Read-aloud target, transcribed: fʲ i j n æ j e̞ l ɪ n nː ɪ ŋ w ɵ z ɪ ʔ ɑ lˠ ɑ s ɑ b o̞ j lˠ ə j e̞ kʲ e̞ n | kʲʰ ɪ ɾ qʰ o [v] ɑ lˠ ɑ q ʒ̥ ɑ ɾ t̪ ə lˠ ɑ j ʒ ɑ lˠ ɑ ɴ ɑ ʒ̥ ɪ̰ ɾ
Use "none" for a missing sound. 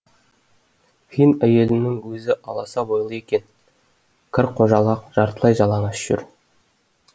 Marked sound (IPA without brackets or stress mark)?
ʒ